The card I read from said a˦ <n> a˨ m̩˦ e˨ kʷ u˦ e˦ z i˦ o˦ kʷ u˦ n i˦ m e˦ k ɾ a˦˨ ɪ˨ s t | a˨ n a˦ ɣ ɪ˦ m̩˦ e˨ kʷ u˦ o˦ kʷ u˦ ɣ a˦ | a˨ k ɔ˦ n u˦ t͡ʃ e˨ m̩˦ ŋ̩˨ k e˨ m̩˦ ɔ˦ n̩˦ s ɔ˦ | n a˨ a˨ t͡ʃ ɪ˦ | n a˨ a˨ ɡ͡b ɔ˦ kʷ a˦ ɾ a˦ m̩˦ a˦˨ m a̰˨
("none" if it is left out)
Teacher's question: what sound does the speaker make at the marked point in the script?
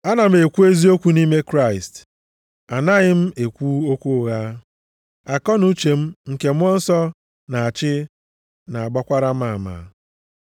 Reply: n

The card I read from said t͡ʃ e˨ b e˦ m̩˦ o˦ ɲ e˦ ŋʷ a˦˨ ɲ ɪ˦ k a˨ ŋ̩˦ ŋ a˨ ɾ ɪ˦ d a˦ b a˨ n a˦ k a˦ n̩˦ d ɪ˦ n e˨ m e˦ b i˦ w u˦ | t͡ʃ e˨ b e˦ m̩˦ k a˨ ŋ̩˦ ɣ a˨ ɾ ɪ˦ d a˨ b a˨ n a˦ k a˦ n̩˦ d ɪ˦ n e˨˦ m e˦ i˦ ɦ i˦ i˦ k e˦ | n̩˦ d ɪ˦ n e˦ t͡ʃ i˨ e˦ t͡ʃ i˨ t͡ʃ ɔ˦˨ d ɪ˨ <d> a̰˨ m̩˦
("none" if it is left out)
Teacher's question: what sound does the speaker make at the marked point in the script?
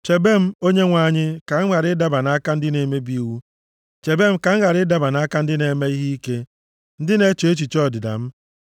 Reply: d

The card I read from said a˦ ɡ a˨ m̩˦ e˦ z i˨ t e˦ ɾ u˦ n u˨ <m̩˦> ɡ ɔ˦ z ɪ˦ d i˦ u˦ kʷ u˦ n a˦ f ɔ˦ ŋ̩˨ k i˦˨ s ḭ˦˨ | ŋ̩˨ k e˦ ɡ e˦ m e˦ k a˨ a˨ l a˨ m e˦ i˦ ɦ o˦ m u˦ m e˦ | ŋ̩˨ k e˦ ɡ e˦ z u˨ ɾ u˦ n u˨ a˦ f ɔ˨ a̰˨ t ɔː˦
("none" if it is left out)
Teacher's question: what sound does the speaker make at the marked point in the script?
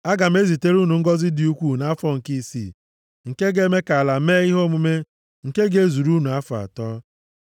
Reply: ŋ̩˦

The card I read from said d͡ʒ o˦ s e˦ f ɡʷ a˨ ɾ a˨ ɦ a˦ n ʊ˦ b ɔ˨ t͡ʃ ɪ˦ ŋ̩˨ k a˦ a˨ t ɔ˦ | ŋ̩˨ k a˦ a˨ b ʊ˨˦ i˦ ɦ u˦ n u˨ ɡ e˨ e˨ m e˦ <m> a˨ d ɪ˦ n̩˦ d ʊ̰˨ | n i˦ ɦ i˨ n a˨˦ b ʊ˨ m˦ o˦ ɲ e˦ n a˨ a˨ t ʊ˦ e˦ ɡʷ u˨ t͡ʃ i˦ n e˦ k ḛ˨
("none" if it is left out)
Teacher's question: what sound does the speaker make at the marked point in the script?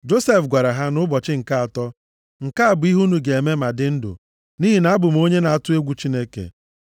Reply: m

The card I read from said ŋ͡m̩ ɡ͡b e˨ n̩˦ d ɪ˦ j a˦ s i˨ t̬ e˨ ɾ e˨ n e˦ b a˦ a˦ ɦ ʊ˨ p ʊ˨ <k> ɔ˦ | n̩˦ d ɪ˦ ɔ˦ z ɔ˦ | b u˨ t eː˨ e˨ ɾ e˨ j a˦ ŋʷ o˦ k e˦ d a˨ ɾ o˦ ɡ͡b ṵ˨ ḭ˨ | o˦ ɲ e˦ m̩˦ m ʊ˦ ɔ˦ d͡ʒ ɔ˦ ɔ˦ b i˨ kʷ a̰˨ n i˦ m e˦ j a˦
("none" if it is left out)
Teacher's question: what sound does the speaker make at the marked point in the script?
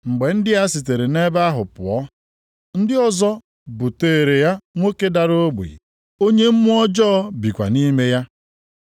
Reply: none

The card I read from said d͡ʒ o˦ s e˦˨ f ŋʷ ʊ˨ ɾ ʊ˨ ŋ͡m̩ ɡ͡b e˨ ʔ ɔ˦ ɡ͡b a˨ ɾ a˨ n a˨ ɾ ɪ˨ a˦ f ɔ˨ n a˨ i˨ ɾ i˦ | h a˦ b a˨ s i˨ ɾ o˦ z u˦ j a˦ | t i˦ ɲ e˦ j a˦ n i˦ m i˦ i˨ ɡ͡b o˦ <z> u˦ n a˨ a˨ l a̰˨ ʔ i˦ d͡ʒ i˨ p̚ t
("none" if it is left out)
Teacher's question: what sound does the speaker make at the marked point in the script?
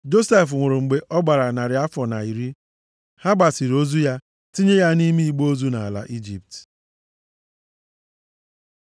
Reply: z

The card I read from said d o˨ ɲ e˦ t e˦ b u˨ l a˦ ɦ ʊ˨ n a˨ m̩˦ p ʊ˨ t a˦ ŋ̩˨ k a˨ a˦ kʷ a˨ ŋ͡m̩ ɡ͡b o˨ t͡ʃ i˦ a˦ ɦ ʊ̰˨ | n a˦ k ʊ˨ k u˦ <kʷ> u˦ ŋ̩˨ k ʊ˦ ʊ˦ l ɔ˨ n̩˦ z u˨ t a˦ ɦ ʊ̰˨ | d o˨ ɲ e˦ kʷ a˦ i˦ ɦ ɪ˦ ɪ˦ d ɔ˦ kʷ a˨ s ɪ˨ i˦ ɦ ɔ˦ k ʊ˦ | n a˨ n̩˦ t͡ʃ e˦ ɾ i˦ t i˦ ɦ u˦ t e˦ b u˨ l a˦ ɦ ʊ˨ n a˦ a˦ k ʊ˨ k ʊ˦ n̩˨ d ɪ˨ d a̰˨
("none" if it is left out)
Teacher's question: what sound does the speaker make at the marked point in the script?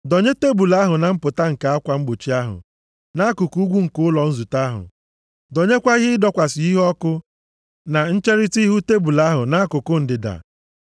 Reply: ɡʷ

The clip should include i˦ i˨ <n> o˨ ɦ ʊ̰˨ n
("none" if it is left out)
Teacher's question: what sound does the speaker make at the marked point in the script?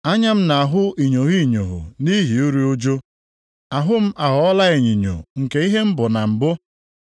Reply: ɲ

